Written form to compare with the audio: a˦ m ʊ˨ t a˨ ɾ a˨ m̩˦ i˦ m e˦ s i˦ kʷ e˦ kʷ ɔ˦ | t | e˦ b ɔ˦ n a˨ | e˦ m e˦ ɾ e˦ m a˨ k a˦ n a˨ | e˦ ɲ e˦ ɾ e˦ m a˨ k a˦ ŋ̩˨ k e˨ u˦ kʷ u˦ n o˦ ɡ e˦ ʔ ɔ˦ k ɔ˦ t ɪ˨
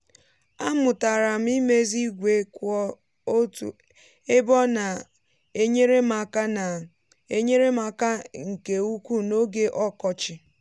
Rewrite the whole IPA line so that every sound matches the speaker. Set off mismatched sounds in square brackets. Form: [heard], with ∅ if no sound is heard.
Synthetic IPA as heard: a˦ m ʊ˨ t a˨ ɾ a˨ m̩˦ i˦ m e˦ [z] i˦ [ɡʷ] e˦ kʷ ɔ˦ | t | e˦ b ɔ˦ n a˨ | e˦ [ɲ] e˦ ɾ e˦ m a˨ k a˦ n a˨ | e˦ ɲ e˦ ɾ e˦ m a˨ k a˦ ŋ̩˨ k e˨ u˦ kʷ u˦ n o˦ ɡ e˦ ʔ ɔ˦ k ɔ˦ [t͡ʃ] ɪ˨